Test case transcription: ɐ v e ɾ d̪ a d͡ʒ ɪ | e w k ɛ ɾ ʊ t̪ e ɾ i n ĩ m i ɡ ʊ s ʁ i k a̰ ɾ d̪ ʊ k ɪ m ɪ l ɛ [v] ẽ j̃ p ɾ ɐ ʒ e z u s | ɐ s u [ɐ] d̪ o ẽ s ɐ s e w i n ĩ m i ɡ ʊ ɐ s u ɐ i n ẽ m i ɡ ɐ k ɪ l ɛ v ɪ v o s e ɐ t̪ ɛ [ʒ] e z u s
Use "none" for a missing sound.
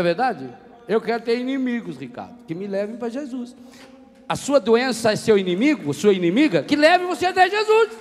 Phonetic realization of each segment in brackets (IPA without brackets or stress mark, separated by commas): v, ɐ, ʒ